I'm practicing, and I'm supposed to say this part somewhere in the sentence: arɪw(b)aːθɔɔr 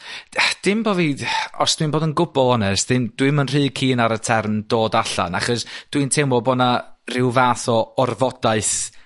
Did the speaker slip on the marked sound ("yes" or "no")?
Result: yes